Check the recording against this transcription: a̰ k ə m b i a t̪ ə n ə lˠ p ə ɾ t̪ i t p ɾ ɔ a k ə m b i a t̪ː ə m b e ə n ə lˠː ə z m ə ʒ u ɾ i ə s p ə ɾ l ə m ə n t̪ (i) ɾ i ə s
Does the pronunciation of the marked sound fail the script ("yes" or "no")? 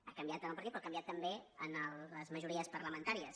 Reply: yes